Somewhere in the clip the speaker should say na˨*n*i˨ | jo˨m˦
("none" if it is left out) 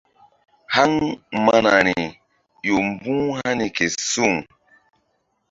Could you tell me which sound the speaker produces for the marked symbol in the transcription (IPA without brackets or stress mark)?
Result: n